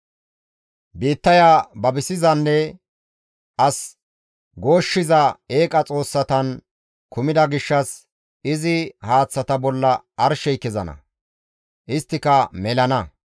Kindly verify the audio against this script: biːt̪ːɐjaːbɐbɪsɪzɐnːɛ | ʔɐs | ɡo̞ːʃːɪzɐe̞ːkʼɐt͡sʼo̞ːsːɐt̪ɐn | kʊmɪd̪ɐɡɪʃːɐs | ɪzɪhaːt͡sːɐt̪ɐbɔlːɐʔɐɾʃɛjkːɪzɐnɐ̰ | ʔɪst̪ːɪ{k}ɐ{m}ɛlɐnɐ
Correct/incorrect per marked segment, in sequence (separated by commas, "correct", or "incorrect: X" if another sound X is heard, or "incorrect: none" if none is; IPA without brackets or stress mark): correct, correct